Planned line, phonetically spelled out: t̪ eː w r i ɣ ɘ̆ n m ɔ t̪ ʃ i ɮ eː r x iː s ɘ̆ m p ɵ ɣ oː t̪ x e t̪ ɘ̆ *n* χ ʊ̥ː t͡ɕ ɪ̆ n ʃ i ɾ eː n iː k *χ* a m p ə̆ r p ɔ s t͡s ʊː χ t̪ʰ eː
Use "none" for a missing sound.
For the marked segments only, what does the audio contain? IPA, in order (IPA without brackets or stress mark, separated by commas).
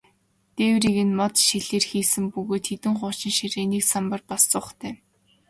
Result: ŋ, s